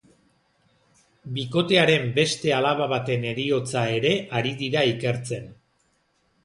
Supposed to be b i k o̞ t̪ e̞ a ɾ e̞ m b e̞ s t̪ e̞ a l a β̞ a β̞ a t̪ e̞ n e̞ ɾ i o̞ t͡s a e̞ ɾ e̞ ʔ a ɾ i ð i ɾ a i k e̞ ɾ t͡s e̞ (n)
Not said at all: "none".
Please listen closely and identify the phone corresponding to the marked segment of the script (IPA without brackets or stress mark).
n